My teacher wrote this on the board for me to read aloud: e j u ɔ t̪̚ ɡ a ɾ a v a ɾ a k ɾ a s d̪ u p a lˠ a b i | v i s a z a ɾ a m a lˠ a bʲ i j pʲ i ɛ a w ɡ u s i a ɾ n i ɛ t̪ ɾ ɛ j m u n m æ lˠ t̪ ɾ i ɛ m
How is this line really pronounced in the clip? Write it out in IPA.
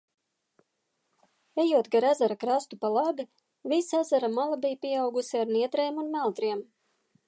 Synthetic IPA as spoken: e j u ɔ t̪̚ ɡ a ɾ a z a ɾ a k ɾ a s t̪ u p a lˠ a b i | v i s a z a ɾ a m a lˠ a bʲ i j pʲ i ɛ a w ɡ u s i a ɾ n i ɛ t̪ ɾ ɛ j m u n m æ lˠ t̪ ɾ i ɛ m

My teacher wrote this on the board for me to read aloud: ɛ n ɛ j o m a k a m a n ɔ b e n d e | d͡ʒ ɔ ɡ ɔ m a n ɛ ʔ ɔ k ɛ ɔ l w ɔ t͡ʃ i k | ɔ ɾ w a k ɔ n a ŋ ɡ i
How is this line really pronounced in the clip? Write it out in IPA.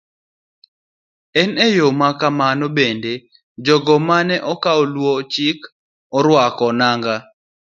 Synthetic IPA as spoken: ɛ n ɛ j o m a k a m a n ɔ b e n d e | d͡ʒ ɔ ɡ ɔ m a n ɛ ʔ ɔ k a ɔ l w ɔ t͡ʃ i k | ɔ ɾ w a k ɔ n a ŋ ɡ a

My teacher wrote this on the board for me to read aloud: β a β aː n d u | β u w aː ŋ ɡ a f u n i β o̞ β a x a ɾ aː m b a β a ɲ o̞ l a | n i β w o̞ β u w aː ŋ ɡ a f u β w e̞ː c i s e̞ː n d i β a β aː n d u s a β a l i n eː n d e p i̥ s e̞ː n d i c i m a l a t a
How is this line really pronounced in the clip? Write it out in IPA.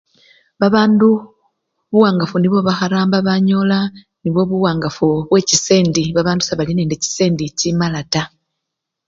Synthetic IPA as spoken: β a β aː n d u | β u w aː ŋ ɡ a f u n i β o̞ β a x a ɾ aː m b a β a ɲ o̞ l a | n i β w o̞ β u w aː ŋ ɡ a f u β w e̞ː c i s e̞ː n d i β a β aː n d u s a β a l i n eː n d e c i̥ s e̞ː n d i c i m a l a t a

